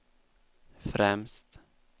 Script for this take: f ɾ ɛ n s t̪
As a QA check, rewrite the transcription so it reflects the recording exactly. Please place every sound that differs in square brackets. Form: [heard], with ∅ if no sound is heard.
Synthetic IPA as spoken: f ɾ ɛ [m] s t̪

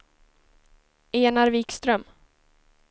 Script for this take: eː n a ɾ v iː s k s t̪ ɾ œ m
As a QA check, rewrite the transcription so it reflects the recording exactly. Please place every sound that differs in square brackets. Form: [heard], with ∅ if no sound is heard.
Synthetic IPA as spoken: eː n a ɾ v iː [∅] k s t̪ ɾ œ m

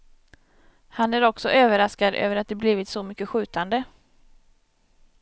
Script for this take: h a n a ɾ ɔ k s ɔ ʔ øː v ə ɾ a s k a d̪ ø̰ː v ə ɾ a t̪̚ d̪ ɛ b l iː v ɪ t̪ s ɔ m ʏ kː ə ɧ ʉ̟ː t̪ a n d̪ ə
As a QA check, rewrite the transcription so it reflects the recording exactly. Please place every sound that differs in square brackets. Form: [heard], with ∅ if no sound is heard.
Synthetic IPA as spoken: h a n [æ] ɾ ɔ k s ɔ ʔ øː v ə ɾ a s k a d̪ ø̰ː v ə ɾ a t̪̚ d̪ ɛ b l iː v ɪ t̪ s ɔ m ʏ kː ə ɧ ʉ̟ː t̪ a n d̪ ə

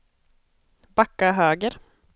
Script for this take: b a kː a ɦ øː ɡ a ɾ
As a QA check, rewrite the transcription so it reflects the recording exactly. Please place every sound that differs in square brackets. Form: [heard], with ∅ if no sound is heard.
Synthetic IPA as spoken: b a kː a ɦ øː ɡ [ə] ɾ

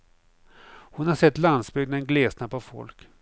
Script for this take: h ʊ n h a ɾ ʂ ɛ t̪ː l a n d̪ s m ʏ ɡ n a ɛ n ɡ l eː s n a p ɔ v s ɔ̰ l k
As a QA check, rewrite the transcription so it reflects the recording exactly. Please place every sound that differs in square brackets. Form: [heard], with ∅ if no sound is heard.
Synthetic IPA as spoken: h ʊ n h a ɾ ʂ ɛ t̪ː l a n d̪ s [b] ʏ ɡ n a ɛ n ɡ l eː s n a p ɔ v [f] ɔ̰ l k

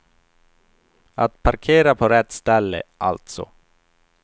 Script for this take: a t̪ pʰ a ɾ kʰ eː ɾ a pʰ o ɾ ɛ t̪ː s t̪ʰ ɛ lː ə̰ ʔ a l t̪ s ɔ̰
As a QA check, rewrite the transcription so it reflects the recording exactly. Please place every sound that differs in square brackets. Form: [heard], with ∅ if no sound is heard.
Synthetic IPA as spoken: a t̪ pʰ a ɾ kʰ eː ɾ a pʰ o ɾ ɛ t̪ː s [t̪] ɛ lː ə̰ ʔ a l t̪ s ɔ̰

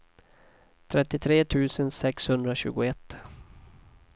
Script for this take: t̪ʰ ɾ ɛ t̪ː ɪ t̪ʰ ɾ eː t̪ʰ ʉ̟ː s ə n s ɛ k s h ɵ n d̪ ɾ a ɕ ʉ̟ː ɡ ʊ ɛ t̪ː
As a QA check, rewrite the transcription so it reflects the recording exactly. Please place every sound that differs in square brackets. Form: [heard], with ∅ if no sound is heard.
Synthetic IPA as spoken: t̪ʰ ɾ ɛ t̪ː ɪ t̪ʰ ɾ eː t̪ʰ ʉ̟ː s ə n s ɛ k s h ɵ n d̪ ɾ a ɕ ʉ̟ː ɡ ʊ ɛ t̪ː

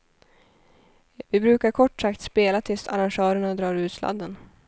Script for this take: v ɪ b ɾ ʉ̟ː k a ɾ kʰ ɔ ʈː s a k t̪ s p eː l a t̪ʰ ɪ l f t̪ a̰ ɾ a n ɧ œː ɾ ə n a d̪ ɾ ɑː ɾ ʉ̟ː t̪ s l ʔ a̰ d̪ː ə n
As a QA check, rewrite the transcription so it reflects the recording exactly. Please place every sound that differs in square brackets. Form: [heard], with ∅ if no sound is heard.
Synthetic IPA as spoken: v ɪ b ɾ ʉ̟ː k a ɾ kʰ ɔ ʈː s a k t̪ s p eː l a t̪ʰ ɪ l [s] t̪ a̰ ɾ a n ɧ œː ɾ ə [ɳ] a d̪ ɾ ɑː ɾ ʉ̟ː t̪ s l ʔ a̰ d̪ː ə n

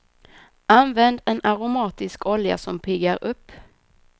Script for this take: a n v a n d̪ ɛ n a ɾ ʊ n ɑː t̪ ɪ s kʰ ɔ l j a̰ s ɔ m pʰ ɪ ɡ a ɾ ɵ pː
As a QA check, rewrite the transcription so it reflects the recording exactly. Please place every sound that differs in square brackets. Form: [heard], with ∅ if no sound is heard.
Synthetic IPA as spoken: a n v [ɛ] n d̪ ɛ n a ɾ ʊ [m] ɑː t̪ ɪ s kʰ ɔ l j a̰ s ɔ m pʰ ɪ ɡ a ɾ ɵ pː

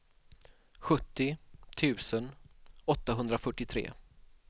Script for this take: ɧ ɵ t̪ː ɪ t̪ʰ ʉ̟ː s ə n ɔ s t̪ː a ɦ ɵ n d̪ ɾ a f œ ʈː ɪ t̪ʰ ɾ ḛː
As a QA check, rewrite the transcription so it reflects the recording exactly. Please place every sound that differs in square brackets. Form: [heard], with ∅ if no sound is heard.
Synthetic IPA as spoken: ɧ ɵ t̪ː ɪ t̪ʰ ʉ̟ː s ə n ɔ [∅] t̪ː a ɦ ɵ n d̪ ɾ a f œ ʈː ɪ t̪ʰ ɾ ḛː

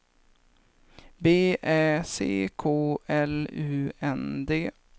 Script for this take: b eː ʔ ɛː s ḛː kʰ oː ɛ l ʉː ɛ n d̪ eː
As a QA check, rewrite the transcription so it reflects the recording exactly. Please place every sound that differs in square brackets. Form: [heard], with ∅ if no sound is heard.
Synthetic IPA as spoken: b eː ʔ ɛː s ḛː kʰ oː ɛ l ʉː ɛ n d̪ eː

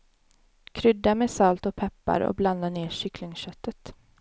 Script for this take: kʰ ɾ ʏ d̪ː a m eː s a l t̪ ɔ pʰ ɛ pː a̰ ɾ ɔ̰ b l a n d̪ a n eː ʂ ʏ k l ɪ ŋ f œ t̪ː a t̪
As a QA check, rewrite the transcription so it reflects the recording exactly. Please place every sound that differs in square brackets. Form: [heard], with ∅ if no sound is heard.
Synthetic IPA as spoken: kʰ ɾ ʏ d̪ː a m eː s a l t̪ ɔ pʰ ɛ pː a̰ ɾ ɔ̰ b l a n d̪ a n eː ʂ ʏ k l ɪ ŋ [ɕ] œ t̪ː [ə] t̪

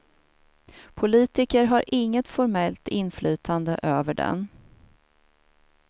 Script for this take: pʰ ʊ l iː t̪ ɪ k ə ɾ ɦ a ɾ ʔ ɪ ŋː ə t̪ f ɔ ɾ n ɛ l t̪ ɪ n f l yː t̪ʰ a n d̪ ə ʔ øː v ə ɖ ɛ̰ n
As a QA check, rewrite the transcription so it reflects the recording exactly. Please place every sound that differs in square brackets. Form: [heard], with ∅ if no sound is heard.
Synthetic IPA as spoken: pʰ ʊ l iː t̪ ɪ k ə ɾ ɦ a ɾ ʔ ɪ ŋː ə t̪ f ɔ ɾ [m] ɛ l t̪ ɪ n f l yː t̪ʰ a n d̪ ə ʔ øː v ə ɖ ɛ̰ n

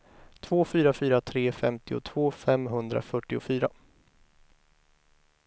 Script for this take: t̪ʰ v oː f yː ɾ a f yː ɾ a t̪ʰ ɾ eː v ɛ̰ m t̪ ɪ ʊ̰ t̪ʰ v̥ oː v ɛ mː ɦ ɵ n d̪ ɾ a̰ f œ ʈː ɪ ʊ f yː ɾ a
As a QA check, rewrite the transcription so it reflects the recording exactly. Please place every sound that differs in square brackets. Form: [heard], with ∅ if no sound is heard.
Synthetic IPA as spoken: t̪ʰ v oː f yː ɾ a f yː ɾ a t̪ʰ ɾ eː [f] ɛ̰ m t̪ ɪ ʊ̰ t̪ʰ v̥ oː [f] ɛ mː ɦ ɵ n d̪ ɾ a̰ f œ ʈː ɪ ʊ f yː ɾ a

